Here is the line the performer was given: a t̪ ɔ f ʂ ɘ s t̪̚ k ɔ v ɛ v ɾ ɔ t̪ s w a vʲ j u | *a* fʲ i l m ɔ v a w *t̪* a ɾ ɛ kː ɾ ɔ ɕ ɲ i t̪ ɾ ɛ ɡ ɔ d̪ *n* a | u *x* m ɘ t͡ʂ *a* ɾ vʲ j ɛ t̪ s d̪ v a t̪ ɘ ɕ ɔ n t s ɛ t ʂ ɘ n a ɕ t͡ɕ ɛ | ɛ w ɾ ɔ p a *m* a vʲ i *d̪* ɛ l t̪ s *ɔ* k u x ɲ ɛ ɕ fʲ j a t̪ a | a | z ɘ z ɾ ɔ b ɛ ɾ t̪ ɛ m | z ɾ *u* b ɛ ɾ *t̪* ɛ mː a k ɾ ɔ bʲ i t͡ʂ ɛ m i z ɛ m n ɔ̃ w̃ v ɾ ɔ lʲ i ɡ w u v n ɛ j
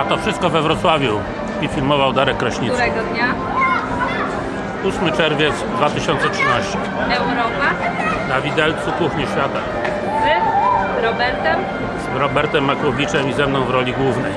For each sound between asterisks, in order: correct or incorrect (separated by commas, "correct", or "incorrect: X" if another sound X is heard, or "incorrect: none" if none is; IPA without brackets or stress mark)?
incorrect: i, incorrect: d̪, incorrect: ɲ, incorrect: s, incorrect: ɛ, incorrect: n, correct, incorrect: u, incorrect: ɔ, correct